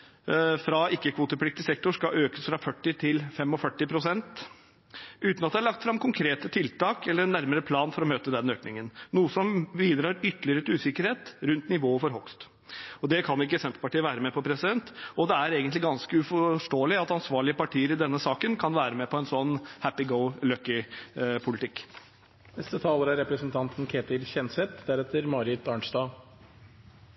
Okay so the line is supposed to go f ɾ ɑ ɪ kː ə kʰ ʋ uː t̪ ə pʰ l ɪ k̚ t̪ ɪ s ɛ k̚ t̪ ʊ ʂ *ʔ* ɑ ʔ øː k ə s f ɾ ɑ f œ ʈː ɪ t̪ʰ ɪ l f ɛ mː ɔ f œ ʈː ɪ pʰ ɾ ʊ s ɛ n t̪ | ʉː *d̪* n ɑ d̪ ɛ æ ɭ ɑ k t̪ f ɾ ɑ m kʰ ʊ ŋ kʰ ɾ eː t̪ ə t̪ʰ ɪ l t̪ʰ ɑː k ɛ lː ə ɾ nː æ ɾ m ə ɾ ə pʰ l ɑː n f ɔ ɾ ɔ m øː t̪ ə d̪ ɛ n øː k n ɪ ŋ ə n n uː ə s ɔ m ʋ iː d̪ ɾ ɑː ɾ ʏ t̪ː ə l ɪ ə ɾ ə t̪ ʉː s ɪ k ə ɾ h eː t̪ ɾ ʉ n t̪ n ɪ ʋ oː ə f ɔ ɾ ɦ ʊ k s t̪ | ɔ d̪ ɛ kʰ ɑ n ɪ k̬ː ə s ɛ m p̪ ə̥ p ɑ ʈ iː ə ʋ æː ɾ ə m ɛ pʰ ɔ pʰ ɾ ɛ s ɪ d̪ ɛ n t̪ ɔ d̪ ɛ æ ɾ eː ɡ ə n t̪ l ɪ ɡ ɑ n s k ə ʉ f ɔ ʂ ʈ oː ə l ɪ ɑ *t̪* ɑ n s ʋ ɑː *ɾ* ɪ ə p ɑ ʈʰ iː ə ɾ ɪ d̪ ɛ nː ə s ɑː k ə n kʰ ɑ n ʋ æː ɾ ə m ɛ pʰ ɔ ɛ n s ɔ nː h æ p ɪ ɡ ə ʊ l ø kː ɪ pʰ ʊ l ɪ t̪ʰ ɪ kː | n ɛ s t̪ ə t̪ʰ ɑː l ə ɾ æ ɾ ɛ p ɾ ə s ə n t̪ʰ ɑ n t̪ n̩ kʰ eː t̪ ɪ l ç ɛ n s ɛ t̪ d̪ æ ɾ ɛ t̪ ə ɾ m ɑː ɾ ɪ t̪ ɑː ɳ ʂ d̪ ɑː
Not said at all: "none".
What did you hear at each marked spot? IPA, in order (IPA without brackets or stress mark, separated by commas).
k, t̪, t̪, ɭ